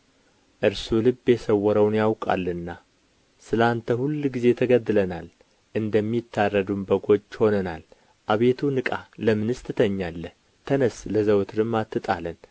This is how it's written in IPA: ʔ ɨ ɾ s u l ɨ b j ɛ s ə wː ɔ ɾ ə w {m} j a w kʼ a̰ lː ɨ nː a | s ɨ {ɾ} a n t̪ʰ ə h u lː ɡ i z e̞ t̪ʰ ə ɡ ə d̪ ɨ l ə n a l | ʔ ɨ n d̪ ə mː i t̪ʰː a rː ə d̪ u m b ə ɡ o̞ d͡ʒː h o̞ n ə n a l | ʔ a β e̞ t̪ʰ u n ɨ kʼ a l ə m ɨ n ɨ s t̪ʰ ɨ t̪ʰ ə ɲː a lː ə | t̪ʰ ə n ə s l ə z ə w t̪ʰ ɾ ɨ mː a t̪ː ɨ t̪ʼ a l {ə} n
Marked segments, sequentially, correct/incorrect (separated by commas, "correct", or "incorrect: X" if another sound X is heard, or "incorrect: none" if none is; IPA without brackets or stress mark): incorrect: n, incorrect: l, correct